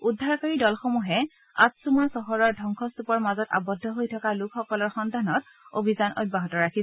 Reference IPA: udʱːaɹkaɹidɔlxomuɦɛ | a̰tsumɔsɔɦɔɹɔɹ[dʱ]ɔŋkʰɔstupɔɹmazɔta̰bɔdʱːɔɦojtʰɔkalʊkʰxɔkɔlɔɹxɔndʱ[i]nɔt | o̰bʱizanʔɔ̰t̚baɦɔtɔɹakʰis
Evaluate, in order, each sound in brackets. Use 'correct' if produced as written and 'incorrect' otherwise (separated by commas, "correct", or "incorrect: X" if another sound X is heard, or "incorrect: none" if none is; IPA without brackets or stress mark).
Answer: correct, incorrect: a